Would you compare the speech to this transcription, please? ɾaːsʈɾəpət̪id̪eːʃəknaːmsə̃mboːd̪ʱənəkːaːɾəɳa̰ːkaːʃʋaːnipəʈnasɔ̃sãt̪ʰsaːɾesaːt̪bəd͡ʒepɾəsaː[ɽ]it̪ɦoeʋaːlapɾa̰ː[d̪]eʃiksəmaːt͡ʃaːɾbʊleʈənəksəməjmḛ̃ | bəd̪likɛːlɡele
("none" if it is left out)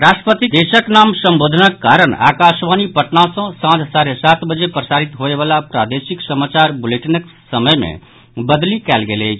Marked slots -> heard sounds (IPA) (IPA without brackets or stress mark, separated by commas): ɾ, d̪